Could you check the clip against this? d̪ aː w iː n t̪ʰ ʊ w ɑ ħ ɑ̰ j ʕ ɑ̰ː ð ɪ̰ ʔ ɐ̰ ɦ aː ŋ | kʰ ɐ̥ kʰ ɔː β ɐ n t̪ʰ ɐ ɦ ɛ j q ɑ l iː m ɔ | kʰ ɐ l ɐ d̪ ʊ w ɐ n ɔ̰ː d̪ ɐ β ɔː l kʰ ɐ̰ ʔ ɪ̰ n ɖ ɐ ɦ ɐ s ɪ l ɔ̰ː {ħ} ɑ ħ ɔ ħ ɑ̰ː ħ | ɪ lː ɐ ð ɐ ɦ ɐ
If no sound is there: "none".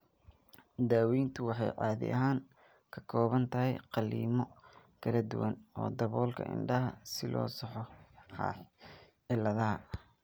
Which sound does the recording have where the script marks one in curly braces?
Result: s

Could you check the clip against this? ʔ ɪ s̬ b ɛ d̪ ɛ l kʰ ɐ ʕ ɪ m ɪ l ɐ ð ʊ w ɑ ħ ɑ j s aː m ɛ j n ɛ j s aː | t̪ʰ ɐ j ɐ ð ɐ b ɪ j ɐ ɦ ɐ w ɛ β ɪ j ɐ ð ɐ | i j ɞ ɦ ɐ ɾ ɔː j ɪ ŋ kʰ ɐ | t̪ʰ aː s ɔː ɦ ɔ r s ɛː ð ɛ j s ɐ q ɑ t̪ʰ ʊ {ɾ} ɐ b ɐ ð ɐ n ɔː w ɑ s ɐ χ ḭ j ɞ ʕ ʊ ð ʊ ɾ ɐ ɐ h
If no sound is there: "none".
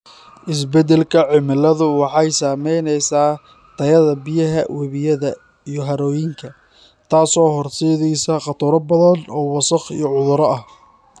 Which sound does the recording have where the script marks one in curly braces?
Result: ɾ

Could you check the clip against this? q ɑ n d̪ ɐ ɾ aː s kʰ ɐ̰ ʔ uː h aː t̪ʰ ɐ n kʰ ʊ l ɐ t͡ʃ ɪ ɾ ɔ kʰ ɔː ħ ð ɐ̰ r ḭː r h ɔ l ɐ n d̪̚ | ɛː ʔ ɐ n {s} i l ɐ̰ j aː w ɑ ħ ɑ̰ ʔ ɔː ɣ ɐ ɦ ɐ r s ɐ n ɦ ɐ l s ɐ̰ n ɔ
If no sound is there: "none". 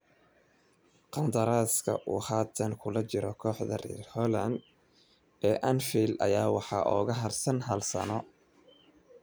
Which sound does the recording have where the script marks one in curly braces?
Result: f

